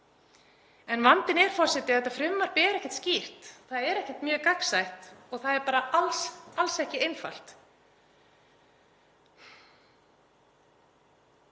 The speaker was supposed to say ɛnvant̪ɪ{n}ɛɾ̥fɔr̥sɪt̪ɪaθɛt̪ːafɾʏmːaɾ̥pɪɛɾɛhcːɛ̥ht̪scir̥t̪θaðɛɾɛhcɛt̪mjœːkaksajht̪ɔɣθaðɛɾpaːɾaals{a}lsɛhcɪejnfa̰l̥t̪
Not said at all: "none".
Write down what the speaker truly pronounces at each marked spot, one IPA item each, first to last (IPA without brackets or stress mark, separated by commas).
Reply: n, a